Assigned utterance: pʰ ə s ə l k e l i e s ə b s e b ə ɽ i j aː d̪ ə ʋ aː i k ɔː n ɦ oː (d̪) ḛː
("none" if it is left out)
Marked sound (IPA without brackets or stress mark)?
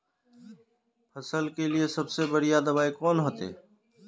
t̪